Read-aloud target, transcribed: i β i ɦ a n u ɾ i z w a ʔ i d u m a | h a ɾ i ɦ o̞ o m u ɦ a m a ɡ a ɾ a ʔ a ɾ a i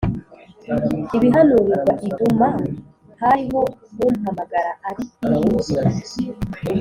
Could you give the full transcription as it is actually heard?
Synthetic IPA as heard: i β i ɦ a n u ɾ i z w a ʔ i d u m a | h a ɾ i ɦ o̞ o m u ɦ a m a ɡ a ɾ a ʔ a ɾ i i